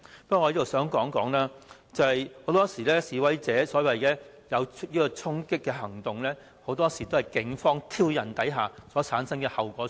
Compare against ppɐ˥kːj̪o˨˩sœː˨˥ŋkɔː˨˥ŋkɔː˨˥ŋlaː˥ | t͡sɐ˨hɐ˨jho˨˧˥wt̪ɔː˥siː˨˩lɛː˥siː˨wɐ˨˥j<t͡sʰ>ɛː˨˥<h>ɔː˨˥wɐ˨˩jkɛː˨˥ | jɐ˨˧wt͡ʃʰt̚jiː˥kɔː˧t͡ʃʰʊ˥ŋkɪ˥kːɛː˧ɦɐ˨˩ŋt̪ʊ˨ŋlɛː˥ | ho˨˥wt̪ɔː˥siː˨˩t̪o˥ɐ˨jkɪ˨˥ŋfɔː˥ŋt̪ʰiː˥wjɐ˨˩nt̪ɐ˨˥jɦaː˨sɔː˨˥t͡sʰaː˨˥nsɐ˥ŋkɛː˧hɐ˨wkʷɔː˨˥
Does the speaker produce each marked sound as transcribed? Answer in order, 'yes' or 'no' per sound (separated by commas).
no, no